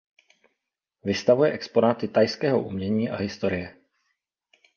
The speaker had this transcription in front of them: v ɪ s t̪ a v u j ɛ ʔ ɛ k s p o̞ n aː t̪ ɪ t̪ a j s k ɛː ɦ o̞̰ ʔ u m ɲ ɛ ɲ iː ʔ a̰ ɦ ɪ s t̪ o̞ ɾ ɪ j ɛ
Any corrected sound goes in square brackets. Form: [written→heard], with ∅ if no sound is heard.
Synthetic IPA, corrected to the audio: v ɪ s t̪ a v u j ɛ ʔ ɛ k s p o̞ n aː t̪ ɪ t̪ a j s k ɛː ɦ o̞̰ ʔ u m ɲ ɛ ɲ iː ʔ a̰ ɦ ɪ s t̪ o̞ ɾ ɪ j ɛ